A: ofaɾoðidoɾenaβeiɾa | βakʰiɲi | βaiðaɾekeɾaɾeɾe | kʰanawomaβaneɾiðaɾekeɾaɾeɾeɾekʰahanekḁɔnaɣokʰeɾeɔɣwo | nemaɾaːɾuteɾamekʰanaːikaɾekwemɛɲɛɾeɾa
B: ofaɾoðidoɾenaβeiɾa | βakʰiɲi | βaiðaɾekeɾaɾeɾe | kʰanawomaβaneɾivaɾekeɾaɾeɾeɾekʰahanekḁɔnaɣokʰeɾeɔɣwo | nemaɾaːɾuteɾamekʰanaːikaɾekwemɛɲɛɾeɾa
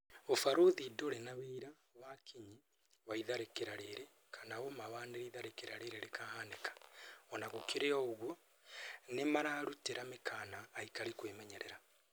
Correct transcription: A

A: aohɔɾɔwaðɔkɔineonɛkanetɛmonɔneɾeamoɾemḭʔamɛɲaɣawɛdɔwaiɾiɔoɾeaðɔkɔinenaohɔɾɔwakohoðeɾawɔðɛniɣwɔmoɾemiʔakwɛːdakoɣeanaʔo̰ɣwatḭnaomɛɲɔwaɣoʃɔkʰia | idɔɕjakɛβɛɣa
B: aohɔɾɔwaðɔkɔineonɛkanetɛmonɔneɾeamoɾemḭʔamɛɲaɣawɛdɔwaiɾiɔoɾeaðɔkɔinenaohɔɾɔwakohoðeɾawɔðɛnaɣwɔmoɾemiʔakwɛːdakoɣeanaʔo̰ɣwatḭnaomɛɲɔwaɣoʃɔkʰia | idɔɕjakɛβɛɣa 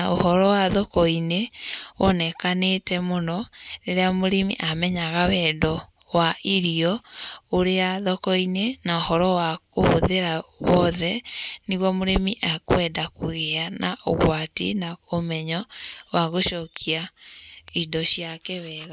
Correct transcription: A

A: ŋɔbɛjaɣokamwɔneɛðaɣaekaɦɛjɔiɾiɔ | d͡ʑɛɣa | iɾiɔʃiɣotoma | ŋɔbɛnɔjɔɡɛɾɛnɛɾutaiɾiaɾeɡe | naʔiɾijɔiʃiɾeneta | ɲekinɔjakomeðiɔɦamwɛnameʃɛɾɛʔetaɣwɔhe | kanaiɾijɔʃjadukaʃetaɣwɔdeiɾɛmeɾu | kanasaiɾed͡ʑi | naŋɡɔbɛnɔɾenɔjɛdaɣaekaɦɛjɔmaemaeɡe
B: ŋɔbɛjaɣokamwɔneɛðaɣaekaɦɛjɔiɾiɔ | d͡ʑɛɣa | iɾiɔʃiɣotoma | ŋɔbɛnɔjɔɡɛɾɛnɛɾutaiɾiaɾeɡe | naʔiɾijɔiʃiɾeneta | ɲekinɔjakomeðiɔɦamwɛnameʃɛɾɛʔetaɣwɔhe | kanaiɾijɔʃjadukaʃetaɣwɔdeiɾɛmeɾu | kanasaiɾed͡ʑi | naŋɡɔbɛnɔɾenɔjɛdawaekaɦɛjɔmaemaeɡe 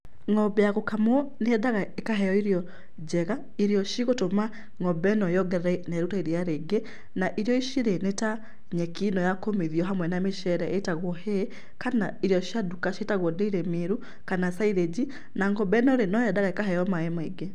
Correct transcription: A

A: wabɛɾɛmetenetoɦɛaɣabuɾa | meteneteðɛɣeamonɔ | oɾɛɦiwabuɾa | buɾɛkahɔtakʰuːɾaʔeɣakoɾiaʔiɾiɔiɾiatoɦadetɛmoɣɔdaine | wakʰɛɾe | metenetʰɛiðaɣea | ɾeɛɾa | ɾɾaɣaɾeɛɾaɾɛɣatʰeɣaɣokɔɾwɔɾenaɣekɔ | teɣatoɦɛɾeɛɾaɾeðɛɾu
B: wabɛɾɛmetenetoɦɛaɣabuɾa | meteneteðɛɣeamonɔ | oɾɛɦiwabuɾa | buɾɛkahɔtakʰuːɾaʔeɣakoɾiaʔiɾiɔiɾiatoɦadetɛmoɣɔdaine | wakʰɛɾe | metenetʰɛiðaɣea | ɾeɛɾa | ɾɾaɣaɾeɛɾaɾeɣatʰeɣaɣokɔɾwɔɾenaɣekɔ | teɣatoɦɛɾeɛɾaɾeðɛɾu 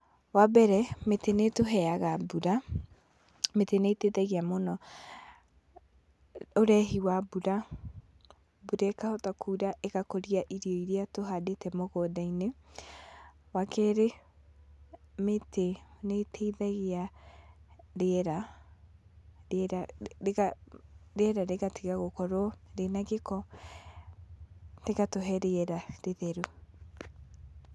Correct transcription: B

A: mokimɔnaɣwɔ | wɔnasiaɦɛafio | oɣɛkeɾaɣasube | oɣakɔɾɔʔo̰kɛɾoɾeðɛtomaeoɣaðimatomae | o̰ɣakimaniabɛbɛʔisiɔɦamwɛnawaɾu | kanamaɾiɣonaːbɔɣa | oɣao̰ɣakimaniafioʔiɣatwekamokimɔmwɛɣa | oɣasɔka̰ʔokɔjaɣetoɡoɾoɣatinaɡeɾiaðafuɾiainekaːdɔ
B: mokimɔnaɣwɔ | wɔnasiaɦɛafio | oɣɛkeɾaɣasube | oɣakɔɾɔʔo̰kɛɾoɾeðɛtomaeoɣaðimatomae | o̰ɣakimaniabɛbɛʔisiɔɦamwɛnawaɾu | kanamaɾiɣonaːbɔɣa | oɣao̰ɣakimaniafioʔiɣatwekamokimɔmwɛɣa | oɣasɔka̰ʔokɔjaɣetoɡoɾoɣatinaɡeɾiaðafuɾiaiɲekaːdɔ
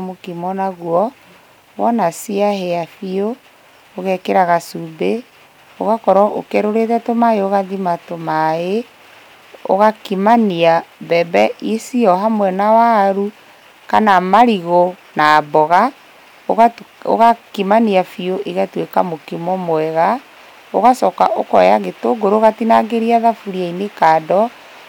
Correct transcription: A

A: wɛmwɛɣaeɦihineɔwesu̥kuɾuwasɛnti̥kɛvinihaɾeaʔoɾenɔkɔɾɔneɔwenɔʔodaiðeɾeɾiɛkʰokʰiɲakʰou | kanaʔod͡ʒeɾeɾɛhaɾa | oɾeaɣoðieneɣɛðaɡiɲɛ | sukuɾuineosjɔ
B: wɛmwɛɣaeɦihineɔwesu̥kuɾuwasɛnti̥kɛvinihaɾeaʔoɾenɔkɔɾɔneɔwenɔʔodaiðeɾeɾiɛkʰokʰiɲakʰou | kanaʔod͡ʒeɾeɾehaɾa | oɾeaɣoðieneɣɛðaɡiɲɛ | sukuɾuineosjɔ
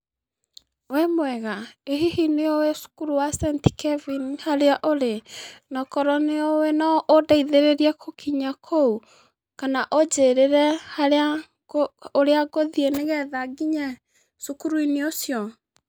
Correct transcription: A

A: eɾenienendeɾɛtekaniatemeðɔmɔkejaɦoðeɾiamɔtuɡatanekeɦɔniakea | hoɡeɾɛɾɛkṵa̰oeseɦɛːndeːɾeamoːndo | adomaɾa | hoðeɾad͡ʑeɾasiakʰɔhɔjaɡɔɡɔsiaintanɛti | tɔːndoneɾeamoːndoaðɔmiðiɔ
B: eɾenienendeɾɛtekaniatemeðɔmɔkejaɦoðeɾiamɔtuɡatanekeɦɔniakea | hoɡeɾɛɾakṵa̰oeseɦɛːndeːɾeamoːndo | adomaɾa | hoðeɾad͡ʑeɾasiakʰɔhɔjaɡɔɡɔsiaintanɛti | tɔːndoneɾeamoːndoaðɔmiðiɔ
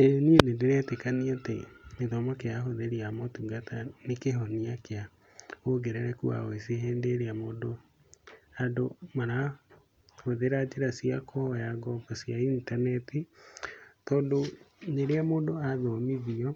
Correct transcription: A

